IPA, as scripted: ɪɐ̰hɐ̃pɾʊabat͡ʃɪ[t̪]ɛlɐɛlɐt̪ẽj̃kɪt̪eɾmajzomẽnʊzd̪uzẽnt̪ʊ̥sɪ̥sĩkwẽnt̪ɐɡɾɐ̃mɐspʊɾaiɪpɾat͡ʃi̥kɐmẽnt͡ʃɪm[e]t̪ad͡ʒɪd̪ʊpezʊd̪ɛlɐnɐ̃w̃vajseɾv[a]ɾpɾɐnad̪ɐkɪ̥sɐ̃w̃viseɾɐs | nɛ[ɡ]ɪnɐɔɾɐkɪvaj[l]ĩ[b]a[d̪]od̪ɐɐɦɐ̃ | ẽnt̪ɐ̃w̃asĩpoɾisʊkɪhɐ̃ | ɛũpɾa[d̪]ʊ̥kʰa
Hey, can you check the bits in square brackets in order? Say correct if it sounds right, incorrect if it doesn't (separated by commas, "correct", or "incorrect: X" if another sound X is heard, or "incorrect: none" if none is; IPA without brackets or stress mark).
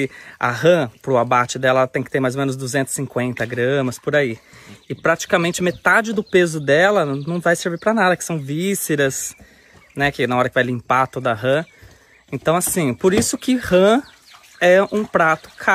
incorrect: d̪, correct, incorrect: i, incorrect: k, correct, incorrect: p, incorrect: t̪, incorrect: t̪